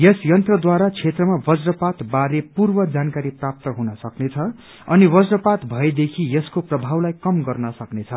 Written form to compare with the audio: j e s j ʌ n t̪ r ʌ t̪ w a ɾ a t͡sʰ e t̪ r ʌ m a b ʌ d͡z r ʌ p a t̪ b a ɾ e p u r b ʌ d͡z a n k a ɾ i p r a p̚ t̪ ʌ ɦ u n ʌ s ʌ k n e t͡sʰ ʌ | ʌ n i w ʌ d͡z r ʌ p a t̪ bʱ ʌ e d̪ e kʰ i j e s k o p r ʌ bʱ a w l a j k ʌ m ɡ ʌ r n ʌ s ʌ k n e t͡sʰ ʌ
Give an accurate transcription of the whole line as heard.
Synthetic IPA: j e s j ʌ n t̪ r ʌ d̪ w a ɾ a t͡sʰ e t̪ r ʌ m a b ʌ d͡z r ʌ p a t̪ b a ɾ e p u r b ʌ d͡z a n k a ɾ i p r a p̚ t̪ ʌ ɦ u n ʌ s ʌ k n e t͡sʰ ʌ | ʌ n i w ʌ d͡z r ʌ p a t̪ bʱ ʌ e d̪ e kʰ i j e s k o p r ʌ bʱ a w l a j k ʌ m ɡ ʌ r n ʌ s ʌ k n e t͡sʰ ʌ

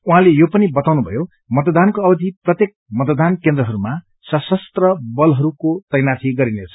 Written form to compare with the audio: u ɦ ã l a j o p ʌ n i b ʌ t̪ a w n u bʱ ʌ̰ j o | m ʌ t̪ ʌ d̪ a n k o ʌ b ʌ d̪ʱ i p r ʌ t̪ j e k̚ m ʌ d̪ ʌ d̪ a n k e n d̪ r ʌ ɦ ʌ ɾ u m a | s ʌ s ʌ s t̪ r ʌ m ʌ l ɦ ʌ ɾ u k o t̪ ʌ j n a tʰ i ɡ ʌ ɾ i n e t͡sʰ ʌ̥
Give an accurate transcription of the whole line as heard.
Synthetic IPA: u ɦ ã l e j o p ʌ n i b ʌ t̪ a w n u bʱ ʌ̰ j o | m ʌ t̪ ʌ d̪ a n k o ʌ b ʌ d̪ʱ i p r ʌ t̪ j e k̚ m ʌ t̪ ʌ d̪ a n k e n d̪ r ʌ ɦ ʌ ɾ u m a | s ʌ s ʌ s t̪ r ʌ b ʌ l ɦ ʌ ɾ u k o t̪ ʌ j n a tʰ i ɡ ʌ ɾ i n e t͡sʰ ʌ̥

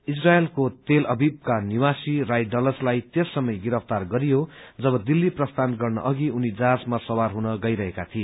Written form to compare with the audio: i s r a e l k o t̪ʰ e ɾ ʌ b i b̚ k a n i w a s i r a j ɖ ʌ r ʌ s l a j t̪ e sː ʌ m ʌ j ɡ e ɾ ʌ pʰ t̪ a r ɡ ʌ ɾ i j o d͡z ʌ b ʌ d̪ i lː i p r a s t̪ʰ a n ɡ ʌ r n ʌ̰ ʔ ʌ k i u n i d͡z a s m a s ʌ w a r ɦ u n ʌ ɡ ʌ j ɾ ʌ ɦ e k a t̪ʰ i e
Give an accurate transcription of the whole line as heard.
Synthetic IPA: i s r a e l k o t̪ e l ʌ b i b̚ k a n i w a s i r a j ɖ ʌ l ʌ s l a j t̪ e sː ʌ m ʌ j ɡ i ɾ ʌ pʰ t̪ a r ɡ ʌ ɾ i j o d͡z ʌ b ʌ d̪ i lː i p r ʌ s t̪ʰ a n ɡ ʌ r n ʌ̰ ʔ ʌ ɡ i u n i d͡z a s m a s ʌ w a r ɦ u n ʌ ɡ ʌ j ɾ ʌ ɦ e k a t̪ʰ i e

